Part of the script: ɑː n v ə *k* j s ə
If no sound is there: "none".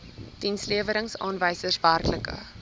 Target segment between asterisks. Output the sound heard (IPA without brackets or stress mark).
none